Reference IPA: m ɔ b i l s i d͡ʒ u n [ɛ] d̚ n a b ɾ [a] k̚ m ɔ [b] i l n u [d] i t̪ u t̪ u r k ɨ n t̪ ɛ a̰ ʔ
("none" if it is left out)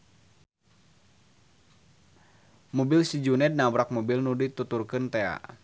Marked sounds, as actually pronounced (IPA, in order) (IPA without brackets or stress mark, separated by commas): ɛ, a, b, d